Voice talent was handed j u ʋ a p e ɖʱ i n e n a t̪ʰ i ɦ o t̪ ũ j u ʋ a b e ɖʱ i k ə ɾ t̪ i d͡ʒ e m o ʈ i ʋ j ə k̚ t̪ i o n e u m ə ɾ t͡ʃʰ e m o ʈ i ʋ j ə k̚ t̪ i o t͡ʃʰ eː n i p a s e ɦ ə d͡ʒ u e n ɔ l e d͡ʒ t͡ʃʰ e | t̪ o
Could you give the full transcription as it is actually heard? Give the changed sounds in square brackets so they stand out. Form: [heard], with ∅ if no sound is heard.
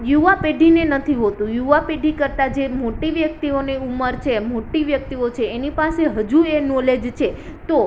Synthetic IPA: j u ʋ a p e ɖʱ i n e n [ə] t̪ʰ i ɦ o t̪ ũ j u ʋ a [p] e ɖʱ i k ə ɾ t̪ [a] d͡ʒ e m o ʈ i ʋ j ə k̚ t̪ i o n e u m ə ɾ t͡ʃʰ e m o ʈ i ʋ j ə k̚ t̪ i o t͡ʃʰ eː n i p a s e ɦ ə d͡ʒ u e n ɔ l e d͡ʒ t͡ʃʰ e | t̪ o